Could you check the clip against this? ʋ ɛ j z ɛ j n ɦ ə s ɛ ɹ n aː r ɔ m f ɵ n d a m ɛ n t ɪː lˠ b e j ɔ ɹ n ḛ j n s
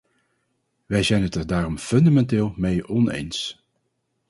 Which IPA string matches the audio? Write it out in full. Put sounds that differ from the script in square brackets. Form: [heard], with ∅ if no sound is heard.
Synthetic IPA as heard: ʋ ɛ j z ɛ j n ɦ ə [t] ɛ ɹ [d] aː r ɔ m f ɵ n d a m ɛ n t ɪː lˠ [m] e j ɔ [∅] n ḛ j n s